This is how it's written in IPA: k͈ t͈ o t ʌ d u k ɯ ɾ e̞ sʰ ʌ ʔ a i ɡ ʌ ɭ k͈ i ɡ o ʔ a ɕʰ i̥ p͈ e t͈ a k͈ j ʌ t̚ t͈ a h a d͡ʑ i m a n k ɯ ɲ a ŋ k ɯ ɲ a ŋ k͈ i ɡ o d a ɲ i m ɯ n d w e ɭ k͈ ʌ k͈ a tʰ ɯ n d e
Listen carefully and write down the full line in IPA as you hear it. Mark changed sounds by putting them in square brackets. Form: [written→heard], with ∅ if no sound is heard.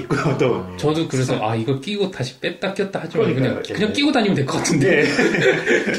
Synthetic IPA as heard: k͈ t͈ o [t→t͡ɕ] ʌ d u k ɯ ɾ e̞ sʰ ʌ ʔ a i ɡ ʌ ɭ k͈ i ɡ o [ʔ→t] a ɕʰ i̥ p͈ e t͈ a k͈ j ʌ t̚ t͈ a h a d͡ʑ i m a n k ɯ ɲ a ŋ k ɯ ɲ a ŋ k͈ i ɡ o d a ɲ i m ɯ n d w e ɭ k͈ ʌ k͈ a tʰ ɯ n d e